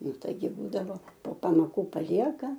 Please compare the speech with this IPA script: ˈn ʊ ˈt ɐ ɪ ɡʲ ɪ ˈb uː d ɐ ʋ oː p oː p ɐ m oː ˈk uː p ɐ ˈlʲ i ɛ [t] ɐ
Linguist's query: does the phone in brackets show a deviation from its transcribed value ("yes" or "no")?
yes